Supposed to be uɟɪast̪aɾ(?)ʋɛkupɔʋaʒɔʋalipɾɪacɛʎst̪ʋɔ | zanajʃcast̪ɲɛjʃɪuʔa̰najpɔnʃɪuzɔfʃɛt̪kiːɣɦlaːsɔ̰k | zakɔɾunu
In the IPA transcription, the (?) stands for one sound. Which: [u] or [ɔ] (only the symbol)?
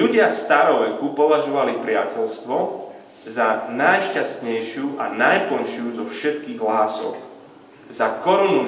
ɔ